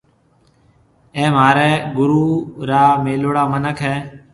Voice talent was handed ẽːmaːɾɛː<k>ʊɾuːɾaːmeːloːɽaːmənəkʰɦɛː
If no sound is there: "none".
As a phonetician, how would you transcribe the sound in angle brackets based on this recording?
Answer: ɡ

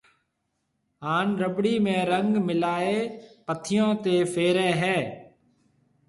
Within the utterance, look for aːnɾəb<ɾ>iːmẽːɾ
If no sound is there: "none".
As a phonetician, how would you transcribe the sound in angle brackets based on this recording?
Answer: ɽ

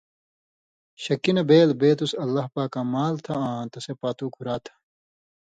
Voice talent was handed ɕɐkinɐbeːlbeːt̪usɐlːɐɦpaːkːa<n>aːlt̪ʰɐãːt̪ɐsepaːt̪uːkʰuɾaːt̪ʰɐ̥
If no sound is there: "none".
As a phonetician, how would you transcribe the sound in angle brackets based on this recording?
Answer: m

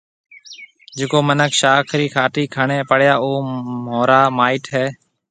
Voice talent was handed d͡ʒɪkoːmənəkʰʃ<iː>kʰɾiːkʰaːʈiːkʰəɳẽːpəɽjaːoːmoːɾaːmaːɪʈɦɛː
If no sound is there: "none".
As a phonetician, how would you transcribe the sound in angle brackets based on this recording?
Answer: aː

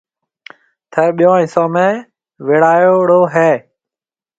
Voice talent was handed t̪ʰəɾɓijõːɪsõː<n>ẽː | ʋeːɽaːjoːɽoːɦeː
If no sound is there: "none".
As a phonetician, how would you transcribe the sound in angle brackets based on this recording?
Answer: m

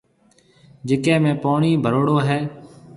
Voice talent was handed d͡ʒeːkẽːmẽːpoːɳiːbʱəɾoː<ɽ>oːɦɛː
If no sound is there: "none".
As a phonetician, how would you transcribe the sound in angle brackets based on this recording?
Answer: ɽ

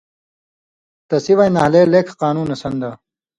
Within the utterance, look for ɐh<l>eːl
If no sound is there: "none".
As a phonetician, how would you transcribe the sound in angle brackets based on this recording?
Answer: l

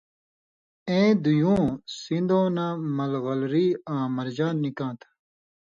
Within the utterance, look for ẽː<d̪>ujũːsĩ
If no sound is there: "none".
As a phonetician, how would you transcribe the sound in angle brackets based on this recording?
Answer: d̪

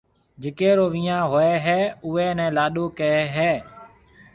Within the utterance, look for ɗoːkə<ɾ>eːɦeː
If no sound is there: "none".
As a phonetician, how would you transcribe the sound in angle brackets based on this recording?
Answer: none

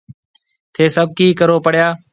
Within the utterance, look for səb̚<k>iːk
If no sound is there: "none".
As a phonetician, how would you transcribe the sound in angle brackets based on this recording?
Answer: k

